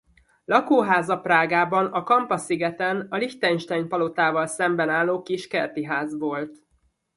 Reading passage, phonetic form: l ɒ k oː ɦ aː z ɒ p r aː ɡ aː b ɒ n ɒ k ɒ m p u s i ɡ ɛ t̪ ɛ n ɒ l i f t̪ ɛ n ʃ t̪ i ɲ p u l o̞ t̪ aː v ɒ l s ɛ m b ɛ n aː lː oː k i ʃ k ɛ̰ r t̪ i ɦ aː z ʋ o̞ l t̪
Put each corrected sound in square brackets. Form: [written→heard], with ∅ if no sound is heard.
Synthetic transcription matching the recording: l ɒ k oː ɦ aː z ɒ p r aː ɡ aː b ɒ n ɒ k ɒ m p [u→ɒ] s i ɡ ɛ t̪ ɛ n ɒ l i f t̪ ɛ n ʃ t̪ [i→ɛ] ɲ p [u→ɒ] l o̞ t̪ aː v ɒ l s ɛ m b ɛ n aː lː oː k i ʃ k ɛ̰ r t̪ i ɦ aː z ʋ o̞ l t̪